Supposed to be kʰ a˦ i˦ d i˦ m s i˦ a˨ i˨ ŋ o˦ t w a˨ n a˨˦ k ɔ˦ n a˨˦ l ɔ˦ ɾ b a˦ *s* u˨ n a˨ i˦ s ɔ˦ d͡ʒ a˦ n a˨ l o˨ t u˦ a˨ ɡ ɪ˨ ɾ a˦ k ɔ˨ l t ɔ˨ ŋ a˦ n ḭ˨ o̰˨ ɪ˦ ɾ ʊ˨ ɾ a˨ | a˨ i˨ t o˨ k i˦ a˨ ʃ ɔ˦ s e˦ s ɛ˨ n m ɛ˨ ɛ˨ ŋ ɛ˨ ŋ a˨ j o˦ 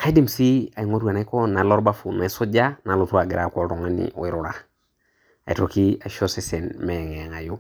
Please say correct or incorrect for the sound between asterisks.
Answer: incorrect